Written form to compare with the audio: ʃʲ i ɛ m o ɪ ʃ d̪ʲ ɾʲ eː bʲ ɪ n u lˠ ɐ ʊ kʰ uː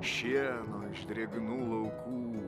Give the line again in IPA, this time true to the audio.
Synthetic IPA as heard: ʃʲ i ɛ n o ɪ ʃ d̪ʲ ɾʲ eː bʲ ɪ n uː lˠ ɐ ʊ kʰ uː